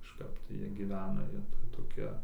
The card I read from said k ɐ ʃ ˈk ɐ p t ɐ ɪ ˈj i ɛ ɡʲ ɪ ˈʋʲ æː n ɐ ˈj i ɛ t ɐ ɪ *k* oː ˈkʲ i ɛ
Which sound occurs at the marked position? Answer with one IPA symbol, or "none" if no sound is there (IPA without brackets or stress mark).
t